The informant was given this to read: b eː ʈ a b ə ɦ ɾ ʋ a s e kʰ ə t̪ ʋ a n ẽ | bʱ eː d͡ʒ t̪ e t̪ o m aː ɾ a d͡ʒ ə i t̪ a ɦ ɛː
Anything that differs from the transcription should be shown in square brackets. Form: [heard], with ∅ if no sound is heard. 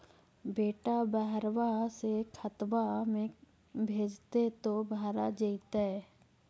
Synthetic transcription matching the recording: b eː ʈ a b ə ɦ ɾ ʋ a s e kʰ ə t̪ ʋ a [m] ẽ | bʱ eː d͡ʒ t̪ e t̪ o [b] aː ɾ a d͡ʒ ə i t̪ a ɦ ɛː